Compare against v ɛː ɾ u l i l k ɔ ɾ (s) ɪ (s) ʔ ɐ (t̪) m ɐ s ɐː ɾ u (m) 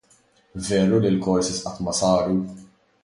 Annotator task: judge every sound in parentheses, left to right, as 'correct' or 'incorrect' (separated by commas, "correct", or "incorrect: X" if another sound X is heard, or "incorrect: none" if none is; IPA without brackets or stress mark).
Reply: correct, correct, correct, incorrect: none